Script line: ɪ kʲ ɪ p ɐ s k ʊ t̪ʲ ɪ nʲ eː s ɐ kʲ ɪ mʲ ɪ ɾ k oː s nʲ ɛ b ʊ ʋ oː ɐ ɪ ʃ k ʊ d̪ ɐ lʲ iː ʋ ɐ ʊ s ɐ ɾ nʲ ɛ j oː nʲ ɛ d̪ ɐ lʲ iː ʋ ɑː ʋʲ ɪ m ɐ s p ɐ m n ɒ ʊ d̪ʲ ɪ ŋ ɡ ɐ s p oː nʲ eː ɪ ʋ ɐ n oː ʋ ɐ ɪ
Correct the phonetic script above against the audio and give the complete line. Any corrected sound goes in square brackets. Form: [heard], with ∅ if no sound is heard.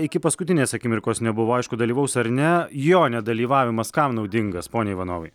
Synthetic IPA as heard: ɪ kʲ ɪ p ɐ s k ʊ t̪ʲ ɪ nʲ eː s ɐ kʲ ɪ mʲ ɪ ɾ k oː s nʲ ɛ b ʊ ʋ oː ɐ ɪ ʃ k ʊ d̪ ɐ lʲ iː ʋ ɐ ʊ s ɐ ɾ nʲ ɛ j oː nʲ ɛ d̪ ɐ lʲ iː ʋ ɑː ʋʲ ɪ m ɐ s [k] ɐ m n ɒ ʊ d̪ʲ ɪ ŋ ɡ ɐ s p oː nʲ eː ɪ ʋ ɐ n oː ʋ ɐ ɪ